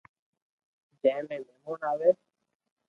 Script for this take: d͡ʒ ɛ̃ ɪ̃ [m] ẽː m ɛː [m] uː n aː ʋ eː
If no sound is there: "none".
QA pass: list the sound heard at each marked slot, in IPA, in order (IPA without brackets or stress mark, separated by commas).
m, m